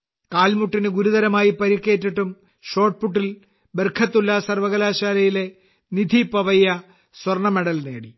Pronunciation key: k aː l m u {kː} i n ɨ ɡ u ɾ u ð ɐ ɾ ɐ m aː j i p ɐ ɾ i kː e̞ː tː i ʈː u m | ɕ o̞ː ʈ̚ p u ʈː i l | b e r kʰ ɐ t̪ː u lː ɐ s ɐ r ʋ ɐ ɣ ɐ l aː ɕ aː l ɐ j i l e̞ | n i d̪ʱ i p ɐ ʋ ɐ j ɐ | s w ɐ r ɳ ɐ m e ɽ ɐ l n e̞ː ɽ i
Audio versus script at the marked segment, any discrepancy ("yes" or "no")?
yes